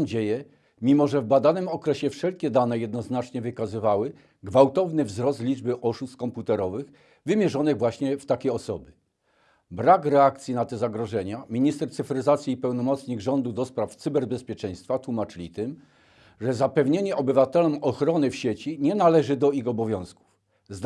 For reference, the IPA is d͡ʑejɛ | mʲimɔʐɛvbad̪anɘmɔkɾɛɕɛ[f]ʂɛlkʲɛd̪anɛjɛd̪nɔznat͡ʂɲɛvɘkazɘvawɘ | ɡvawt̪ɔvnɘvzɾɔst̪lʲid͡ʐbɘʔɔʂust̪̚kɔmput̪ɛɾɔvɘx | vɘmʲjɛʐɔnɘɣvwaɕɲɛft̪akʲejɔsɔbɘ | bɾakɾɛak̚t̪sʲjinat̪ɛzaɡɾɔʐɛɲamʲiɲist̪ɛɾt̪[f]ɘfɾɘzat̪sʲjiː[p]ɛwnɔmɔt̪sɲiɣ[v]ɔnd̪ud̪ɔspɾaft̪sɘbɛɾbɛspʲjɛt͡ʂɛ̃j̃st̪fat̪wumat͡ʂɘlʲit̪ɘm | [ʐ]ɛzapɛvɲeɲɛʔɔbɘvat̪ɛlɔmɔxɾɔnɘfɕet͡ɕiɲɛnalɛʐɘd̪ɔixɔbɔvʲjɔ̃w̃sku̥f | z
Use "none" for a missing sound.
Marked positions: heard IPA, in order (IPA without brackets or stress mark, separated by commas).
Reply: f, s, p, ʐ, ʐ